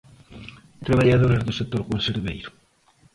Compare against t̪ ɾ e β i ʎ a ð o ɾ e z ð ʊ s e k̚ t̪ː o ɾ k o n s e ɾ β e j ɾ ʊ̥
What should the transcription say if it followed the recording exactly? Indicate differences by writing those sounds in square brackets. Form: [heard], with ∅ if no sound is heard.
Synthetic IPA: t̪ ɾ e β [a] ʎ a ð o ɾ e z ð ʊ s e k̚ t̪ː o ɾ k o n s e ɾ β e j ɾ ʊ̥